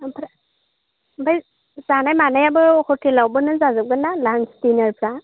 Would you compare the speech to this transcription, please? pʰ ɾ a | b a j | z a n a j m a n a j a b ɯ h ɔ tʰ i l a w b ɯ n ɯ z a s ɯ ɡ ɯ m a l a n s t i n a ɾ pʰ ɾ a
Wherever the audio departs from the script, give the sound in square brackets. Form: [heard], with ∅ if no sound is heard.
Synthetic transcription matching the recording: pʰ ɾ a | b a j | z a n a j m a n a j a b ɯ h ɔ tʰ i l a w b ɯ n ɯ z a [z] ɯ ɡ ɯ [n] a l a n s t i n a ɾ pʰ ɾ a